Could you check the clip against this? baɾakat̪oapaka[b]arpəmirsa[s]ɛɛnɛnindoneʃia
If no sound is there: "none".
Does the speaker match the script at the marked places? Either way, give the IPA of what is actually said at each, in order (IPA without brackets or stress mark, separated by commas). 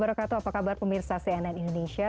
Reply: b, s